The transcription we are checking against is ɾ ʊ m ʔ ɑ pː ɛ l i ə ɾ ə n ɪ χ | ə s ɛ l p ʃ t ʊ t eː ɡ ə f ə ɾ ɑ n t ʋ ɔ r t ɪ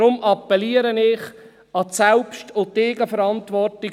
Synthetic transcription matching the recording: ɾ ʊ m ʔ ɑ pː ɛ l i ə ɾ ə n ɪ χ | ɑ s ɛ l p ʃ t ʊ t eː ɡ ə f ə ɾ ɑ n t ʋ ɔ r t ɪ